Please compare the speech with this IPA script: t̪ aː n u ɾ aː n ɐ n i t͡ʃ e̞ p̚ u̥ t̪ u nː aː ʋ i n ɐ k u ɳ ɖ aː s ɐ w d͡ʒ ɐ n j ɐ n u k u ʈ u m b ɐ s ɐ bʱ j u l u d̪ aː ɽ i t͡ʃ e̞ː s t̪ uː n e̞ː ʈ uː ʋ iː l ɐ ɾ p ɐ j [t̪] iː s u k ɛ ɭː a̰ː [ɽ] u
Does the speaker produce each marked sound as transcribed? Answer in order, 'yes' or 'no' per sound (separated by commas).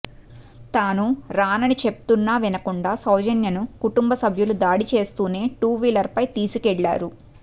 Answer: yes, no